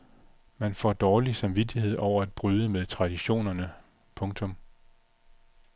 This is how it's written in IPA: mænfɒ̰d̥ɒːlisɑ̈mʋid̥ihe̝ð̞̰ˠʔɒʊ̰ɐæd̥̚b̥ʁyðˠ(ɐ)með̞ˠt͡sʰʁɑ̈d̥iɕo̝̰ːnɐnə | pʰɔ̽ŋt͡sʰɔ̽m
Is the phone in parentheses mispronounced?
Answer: yes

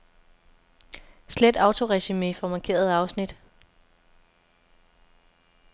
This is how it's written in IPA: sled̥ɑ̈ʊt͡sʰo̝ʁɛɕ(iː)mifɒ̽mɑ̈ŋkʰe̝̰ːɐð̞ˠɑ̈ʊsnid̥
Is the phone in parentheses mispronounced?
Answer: yes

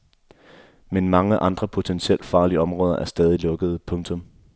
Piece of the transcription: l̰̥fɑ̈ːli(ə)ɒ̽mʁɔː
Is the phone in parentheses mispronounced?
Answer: no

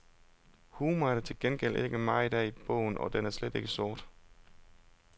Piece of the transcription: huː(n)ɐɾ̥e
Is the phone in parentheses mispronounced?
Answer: yes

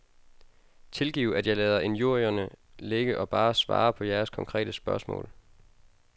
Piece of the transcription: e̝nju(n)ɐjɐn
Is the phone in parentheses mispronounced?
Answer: yes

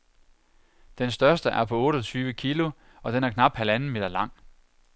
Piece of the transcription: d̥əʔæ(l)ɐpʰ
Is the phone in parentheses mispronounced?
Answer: yes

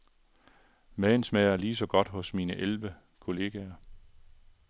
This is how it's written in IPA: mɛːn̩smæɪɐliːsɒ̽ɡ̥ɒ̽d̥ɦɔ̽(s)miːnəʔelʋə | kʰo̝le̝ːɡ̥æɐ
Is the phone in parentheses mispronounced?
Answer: no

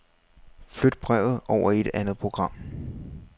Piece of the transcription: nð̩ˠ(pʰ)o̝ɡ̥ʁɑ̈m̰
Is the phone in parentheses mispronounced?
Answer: no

